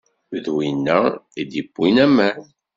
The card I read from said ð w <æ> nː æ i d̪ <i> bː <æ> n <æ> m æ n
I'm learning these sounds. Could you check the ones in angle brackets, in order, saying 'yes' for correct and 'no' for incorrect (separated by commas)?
no, yes, no, yes